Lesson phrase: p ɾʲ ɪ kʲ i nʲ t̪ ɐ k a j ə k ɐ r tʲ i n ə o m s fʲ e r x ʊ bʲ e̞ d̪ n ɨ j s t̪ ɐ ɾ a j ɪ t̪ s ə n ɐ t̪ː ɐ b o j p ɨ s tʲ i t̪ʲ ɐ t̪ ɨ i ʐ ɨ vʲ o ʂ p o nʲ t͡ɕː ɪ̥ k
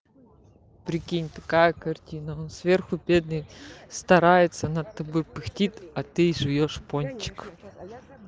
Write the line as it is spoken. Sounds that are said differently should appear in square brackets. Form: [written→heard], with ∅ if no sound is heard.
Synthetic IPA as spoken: p ɾʲ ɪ kʲ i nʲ t̪ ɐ k a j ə k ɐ r tʲ i n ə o [m→n] s [fʲ→vʲ] e r x ʊ bʲ e̞ d̪ n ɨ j s t̪ ɐ ɾ a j ɪ t̪ s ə n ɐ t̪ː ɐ b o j p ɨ [s→x] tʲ i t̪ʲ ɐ t̪ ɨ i ʐ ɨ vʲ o ʂ p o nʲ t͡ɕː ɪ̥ k